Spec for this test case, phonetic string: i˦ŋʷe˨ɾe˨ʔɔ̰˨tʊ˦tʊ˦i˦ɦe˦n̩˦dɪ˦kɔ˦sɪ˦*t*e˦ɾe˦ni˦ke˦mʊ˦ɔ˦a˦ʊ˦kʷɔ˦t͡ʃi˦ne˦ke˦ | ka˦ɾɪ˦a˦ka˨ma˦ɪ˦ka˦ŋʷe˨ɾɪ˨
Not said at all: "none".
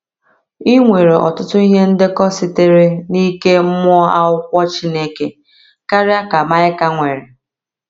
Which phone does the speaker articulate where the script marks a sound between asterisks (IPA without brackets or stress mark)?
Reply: t